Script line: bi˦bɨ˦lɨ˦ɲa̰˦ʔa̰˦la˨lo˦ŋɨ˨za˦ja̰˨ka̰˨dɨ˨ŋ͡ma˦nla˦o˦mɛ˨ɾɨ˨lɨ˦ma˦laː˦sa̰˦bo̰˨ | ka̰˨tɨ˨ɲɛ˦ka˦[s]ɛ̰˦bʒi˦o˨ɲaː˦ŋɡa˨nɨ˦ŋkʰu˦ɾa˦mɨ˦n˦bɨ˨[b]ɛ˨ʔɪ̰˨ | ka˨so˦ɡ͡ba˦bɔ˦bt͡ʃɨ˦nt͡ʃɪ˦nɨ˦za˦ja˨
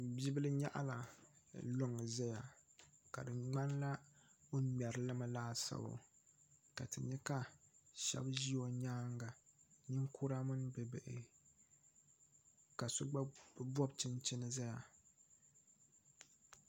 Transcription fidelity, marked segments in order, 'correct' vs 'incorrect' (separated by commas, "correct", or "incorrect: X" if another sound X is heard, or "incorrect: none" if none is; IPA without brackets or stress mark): incorrect: ʃ, correct